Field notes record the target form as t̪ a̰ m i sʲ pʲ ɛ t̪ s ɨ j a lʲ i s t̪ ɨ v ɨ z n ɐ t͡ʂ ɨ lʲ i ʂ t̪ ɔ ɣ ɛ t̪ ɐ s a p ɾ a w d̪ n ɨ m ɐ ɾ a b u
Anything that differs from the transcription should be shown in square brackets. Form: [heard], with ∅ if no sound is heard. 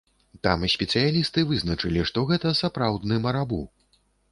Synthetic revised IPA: t̪ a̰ m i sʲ pʲ ɛ t̪ s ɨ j a lʲ i s t̪ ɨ v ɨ z n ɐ t͡ʂ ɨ lʲ i ʂ t̪ ɔ ɣ ɛ t̪ ɐ s a p ɾ a w d̪ n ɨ m ɐ ɾ a b u